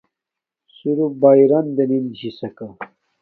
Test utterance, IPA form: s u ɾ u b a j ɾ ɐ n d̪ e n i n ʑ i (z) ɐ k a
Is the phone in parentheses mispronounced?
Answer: yes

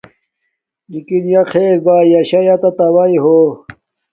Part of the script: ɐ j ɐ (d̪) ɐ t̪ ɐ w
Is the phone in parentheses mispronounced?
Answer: yes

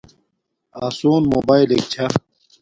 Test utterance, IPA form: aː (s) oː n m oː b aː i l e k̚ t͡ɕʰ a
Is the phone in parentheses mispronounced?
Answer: no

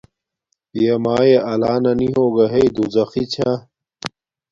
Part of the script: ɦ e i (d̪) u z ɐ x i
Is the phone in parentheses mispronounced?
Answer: no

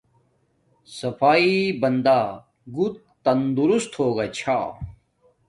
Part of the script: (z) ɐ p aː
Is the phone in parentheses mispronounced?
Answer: yes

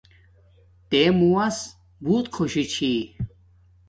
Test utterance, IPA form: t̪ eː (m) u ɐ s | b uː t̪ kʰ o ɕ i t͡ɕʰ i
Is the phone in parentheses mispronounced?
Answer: no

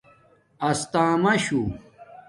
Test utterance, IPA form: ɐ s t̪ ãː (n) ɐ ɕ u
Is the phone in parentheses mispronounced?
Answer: yes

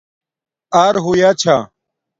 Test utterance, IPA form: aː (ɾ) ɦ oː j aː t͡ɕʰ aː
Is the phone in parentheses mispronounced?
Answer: no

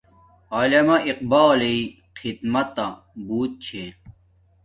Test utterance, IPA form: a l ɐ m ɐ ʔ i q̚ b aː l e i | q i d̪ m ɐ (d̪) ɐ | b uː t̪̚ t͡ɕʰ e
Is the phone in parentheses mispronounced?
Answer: yes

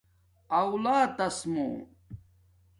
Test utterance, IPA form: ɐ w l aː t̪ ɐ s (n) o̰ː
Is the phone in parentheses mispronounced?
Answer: yes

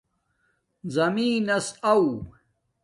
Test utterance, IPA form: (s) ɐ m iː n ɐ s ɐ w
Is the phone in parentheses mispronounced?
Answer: yes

